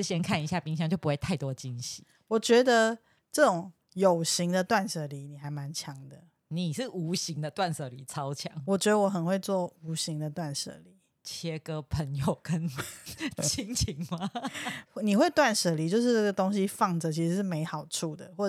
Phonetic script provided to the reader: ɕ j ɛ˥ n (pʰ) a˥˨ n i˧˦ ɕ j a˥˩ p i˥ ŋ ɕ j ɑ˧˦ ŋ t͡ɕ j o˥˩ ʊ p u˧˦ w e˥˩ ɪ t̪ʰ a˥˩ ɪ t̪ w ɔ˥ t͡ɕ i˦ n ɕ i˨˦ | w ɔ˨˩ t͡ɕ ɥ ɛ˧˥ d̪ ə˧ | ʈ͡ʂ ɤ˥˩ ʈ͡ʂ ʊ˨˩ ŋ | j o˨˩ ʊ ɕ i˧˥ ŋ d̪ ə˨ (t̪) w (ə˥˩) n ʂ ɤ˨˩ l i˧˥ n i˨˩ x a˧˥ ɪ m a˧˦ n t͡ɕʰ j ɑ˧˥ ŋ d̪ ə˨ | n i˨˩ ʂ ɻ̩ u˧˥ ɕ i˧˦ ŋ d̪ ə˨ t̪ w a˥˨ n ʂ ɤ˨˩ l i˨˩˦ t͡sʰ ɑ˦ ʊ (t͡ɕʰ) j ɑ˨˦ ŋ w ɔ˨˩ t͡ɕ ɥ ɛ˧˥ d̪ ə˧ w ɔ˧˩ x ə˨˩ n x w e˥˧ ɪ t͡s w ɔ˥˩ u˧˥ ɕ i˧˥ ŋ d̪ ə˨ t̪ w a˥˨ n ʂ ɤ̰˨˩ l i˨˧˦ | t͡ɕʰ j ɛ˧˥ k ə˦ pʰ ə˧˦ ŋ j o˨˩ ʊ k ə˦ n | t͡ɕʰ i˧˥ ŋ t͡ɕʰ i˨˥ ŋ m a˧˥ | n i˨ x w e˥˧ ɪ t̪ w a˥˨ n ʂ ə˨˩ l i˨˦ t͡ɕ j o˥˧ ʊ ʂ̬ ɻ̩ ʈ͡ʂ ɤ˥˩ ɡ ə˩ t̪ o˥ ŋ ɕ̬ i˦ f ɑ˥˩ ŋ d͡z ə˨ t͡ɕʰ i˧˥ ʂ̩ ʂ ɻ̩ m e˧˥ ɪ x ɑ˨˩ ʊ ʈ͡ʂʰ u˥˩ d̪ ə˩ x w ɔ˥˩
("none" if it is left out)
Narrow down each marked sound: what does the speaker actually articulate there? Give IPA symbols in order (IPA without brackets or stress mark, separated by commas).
kʰ, t̪, a˥˩, t͡ɕʰ